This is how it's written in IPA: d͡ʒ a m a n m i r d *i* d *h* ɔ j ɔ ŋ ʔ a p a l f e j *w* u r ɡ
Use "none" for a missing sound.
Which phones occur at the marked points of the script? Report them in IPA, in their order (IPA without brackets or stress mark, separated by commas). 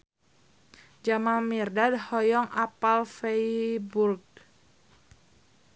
a, h, b